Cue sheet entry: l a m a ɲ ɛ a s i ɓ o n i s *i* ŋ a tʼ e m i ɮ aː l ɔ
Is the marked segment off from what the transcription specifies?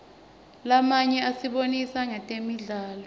yes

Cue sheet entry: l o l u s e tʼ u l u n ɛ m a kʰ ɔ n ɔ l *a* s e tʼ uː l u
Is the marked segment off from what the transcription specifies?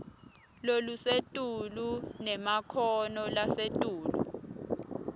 no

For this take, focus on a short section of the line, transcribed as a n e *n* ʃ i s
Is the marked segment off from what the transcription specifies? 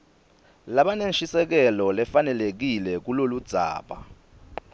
no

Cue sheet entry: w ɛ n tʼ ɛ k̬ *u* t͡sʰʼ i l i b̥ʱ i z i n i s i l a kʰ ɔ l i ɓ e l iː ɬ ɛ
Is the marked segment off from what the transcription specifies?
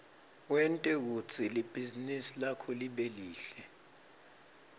no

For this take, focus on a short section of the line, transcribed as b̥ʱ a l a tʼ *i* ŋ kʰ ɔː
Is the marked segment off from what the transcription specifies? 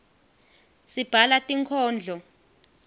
no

